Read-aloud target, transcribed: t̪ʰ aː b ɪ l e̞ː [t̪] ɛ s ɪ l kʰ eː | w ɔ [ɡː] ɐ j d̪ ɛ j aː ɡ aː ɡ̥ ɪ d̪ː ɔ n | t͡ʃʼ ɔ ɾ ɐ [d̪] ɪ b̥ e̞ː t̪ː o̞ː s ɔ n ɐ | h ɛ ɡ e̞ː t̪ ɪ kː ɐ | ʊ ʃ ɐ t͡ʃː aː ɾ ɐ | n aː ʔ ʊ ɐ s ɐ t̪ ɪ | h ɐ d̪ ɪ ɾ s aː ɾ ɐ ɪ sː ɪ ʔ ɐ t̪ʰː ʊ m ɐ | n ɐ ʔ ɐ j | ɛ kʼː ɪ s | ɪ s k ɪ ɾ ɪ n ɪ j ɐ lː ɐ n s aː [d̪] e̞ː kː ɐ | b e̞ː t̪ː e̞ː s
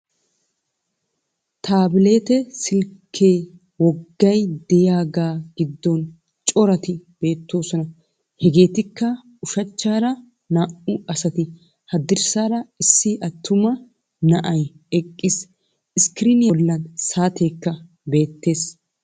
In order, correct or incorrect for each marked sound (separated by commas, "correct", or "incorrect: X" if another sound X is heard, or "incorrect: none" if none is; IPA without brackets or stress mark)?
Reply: correct, correct, incorrect: t̪, incorrect: t̪